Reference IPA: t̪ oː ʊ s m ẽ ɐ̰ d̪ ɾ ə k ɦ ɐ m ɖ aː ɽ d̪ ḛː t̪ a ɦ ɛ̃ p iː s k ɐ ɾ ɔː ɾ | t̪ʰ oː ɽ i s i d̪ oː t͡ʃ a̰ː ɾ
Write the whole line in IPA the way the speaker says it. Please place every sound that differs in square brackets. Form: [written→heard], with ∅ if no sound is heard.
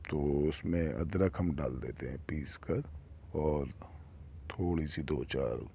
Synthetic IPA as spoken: t̪ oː ʊ s m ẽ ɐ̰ d̪ ɾ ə k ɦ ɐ m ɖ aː [ɽ→l] d̪ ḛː t̪ [a→e] ɦ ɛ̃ p iː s k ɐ ɾ ɔː ɾ | t̪ʰ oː ɽ i s i d̪ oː t͡ʃ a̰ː ɾ